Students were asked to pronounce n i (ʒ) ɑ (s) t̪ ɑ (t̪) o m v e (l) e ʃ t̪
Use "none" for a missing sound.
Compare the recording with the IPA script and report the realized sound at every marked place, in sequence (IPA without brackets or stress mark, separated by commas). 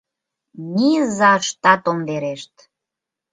z, ʃ, t̪, ɾ